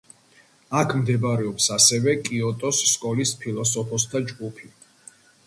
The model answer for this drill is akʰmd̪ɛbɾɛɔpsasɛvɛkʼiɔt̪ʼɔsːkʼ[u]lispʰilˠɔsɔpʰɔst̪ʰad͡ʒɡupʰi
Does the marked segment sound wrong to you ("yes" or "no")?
yes